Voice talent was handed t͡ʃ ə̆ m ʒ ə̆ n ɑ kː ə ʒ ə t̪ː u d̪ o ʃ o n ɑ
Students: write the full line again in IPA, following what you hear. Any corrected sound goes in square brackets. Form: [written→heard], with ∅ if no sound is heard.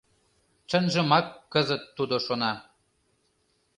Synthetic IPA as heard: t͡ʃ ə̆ [m→n] ʒ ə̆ [n→m] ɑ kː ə [ʒ→z] ə t̪ː u d̪ o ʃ o n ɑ